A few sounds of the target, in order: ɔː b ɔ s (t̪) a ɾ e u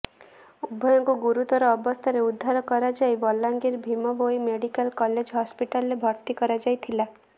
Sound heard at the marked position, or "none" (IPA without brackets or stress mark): t̪ʰ